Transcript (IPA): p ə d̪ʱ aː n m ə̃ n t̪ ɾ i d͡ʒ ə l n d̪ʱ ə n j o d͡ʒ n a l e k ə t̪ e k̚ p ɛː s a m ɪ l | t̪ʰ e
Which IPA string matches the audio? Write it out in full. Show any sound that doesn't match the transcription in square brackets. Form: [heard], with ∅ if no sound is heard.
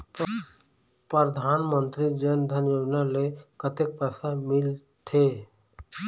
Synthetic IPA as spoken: p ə d̪ʱ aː n m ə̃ n t̪ ɾ i d͡ʒ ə [∅] n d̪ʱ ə n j o d͡ʒ n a l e k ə t̪ e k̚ p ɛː s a m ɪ l | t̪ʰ e